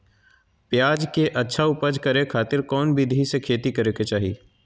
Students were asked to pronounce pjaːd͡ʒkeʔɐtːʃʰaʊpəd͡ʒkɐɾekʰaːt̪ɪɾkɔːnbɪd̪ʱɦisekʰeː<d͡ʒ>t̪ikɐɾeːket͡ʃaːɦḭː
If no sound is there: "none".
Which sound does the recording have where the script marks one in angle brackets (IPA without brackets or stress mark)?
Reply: none